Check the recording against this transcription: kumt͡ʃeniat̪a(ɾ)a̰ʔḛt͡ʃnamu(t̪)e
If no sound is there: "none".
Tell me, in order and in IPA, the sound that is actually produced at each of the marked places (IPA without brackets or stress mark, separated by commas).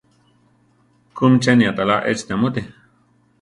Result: l, t̪